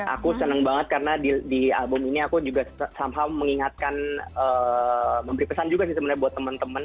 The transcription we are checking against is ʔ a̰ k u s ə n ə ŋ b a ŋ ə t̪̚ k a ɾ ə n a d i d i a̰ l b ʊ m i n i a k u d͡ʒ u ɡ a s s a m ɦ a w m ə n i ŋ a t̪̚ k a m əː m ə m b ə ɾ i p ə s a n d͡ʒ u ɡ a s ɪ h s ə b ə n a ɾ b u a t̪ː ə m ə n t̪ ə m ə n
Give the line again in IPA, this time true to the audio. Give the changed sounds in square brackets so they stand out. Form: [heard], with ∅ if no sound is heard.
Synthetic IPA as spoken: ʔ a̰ k u s ə n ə ŋ b a ŋ ə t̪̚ k a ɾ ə n a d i d i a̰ l b ʊ m i n i a k u d͡ʒ u ɡ a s s a m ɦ a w m ə [ŋ] i ŋ a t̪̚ k a [n] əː m ə m b ə ɾ i p ə s a n d͡ʒ u ɡ a s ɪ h s ə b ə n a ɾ b u a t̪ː ə m ə n t̪ ə m ə n